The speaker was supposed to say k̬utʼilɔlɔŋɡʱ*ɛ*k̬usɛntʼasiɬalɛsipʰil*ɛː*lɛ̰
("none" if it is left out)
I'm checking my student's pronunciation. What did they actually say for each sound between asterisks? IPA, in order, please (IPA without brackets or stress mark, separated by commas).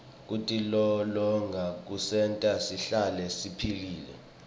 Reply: a, iː